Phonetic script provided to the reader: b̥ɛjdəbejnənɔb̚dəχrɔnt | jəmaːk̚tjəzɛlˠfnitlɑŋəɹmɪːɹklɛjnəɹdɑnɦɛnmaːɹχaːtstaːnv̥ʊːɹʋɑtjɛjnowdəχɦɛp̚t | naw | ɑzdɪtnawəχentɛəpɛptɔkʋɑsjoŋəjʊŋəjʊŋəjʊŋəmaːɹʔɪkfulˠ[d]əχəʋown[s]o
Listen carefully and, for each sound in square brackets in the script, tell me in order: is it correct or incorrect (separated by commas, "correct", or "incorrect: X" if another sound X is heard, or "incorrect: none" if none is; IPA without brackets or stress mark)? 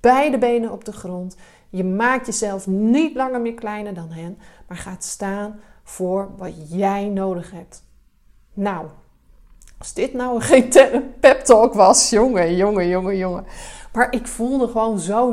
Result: correct, incorrect: z